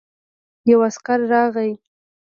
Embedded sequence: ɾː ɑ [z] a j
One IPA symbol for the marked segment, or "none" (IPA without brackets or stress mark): ɣ